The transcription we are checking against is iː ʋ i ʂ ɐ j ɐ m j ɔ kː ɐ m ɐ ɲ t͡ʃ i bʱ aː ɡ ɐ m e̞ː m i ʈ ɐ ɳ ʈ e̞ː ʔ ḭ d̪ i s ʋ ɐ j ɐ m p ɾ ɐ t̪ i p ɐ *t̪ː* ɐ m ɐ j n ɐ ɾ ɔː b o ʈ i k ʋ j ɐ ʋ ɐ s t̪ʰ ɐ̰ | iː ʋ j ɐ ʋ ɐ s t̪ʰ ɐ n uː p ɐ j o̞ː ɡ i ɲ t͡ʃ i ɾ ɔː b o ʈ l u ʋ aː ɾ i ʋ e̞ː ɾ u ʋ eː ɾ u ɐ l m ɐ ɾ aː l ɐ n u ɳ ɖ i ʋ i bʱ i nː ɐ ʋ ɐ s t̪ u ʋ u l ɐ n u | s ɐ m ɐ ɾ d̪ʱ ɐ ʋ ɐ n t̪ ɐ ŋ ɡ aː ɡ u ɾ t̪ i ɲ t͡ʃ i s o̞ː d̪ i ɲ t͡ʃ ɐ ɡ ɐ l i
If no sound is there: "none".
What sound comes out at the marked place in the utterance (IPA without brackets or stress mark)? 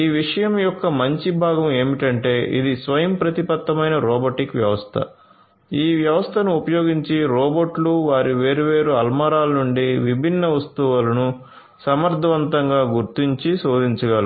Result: t̪ː